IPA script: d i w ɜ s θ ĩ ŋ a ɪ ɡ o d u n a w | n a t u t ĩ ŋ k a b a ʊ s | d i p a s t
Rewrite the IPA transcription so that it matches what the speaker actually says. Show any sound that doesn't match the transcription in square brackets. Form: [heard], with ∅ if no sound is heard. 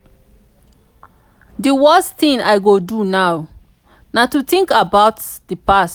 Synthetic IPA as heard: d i w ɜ s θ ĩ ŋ a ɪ ɡ o d u n a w | n a t u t ĩ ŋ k a b a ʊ [t] | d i p a s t